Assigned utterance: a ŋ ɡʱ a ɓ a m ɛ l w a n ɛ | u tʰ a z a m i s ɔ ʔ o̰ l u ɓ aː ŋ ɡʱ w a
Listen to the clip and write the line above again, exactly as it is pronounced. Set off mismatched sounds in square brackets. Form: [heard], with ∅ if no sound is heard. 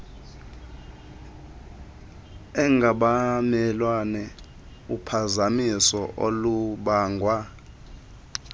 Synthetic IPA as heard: [ɛ] ŋ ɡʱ a ɓ a m ɛ l w a n ɛ | u [pʰ] a z a m i s ɔ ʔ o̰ l u ɓ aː ŋ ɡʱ w a